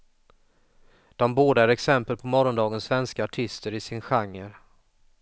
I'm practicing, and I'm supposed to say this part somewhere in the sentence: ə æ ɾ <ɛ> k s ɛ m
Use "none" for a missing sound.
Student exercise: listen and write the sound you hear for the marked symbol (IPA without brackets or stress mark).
ɛ